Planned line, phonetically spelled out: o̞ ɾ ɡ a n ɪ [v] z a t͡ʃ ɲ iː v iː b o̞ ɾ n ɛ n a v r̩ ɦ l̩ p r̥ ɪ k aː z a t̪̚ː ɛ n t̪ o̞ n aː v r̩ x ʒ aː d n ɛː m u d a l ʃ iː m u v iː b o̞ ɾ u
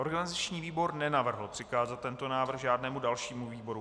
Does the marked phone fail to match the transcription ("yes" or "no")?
yes